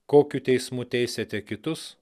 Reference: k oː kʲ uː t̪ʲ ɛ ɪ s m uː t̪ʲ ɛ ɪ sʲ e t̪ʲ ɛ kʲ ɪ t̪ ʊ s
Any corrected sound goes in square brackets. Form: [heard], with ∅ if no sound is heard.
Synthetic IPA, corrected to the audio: k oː kʲ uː t̪ʲ ɛ ɪ s m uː t̪ʲ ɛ ɪ sʲ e t̪ʲ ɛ kʲ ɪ t̪ ʊ s